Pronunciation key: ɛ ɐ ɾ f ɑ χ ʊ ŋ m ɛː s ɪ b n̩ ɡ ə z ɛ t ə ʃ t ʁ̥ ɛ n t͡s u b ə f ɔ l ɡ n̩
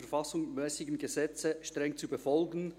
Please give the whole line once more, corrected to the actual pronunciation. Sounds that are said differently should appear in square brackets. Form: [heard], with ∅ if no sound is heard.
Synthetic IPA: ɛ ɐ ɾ f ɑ [s] ʊ ŋ m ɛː s ɪ [ɡ] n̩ ɡ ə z ɛ [t͡s] ə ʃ t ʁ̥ ɛ [ŋ] t͡s u b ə f ɔ l ɡ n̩